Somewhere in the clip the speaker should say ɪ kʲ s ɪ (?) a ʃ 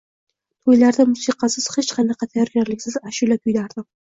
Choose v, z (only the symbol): z